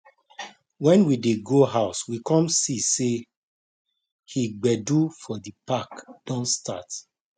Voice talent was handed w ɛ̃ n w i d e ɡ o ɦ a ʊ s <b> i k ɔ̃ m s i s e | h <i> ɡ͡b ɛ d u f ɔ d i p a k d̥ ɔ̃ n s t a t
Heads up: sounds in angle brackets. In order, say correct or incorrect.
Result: incorrect: w, correct

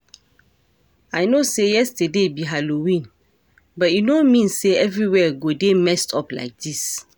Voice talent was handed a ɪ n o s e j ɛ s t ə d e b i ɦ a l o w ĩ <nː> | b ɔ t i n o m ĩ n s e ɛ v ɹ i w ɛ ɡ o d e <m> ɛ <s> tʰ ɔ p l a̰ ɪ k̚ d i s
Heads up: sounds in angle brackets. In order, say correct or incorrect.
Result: incorrect: n, correct, correct

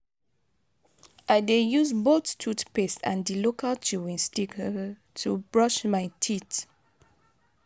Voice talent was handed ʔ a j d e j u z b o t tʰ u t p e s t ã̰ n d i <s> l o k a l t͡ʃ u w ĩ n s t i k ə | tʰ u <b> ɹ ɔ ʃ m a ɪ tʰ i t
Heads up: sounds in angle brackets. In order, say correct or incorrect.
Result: incorrect: none, correct

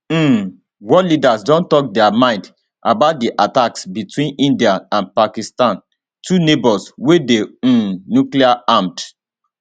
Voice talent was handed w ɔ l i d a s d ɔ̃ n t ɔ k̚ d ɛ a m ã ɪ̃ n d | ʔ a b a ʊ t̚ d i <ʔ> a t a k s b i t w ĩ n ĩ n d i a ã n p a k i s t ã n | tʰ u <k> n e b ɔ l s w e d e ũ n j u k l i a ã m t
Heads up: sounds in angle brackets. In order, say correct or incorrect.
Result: correct, incorrect: none

